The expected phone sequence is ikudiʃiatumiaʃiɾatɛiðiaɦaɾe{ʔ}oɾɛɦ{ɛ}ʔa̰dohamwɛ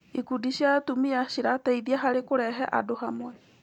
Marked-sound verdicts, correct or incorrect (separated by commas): incorrect, correct